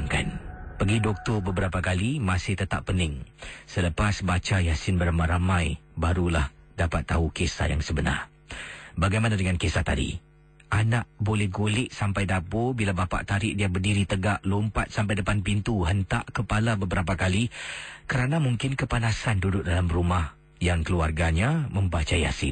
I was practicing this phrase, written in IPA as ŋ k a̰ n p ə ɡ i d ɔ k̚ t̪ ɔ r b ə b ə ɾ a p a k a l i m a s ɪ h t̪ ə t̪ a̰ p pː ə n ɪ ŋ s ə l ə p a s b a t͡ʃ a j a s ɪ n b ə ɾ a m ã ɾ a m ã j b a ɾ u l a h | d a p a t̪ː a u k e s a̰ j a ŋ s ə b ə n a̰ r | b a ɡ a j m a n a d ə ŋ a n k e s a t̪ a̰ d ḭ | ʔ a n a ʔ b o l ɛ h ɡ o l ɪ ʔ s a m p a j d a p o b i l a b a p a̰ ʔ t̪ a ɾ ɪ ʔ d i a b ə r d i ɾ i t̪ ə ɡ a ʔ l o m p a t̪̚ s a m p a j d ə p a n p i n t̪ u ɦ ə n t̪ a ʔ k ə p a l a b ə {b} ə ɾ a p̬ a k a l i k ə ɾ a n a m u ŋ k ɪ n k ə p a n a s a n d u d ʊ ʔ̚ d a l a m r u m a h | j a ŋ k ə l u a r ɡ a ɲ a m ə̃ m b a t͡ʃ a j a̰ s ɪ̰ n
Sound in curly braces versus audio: correct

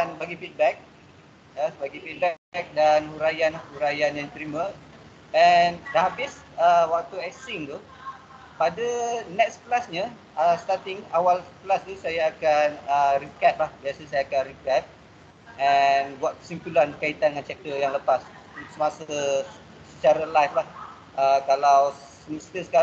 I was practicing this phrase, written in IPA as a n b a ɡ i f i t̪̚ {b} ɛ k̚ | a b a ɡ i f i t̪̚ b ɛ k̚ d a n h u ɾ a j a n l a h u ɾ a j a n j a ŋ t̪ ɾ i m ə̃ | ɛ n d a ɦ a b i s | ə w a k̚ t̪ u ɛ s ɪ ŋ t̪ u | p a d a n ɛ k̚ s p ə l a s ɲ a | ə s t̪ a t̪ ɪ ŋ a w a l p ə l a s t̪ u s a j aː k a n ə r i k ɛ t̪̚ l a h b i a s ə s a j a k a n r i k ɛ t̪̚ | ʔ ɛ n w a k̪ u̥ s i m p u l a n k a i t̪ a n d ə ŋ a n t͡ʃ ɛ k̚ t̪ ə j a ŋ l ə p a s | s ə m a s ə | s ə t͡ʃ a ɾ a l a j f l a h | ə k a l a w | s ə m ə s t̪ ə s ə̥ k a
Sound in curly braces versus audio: correct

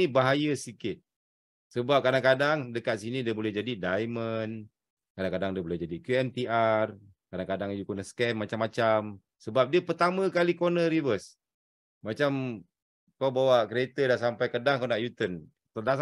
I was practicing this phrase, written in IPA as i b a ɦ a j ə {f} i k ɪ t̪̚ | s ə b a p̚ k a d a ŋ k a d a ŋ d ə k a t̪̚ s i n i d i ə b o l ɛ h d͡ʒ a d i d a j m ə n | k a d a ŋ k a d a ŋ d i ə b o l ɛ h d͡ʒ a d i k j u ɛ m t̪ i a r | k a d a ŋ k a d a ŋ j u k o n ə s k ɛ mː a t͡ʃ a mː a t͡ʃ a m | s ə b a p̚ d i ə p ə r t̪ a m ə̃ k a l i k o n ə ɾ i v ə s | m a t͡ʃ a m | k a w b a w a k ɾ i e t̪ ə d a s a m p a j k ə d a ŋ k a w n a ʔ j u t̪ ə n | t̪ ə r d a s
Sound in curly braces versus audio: incorrect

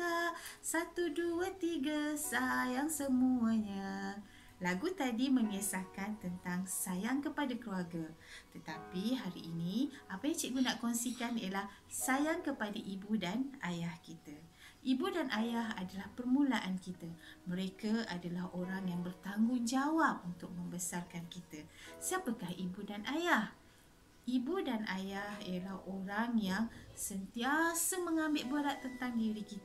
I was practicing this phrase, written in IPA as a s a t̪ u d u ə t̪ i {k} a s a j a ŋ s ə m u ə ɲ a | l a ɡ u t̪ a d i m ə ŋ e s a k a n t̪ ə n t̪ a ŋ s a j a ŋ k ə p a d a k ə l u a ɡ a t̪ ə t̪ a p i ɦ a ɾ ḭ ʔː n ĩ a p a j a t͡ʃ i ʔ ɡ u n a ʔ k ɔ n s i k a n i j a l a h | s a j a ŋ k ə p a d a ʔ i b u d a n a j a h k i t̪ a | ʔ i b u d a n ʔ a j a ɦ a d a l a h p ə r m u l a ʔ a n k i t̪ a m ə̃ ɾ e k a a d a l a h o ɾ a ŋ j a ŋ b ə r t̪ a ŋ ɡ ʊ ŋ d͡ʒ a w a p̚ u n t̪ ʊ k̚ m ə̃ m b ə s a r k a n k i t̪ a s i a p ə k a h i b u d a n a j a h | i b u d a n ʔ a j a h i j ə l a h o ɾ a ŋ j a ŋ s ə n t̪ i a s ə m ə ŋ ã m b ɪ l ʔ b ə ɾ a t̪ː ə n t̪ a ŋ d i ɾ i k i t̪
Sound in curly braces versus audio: incorrect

